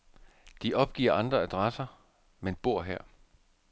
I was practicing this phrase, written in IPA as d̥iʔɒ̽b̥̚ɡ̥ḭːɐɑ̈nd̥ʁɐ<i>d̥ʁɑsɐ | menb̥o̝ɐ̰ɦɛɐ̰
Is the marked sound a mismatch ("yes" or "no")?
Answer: yes